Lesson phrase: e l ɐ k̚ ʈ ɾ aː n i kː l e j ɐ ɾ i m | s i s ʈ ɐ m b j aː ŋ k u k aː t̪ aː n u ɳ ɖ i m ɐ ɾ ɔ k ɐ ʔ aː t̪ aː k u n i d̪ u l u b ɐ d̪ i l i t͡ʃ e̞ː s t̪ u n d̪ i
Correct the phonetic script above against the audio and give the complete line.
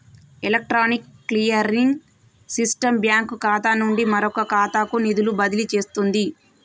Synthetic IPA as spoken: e l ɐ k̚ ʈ ɾ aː n i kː l i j ɐ ɾ i ŋ | s i s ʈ ɐ m b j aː ŋ k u k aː t̪ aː n u ɳ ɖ i m ɐ ɾ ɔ k ɐ k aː t̪ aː k u n i d̪ u l u b ɐ d̪ i l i t͡ʃ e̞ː s t̪ u n d̪ i